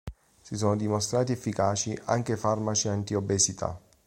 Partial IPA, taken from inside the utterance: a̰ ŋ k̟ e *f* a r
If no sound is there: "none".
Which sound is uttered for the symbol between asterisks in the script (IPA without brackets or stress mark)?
f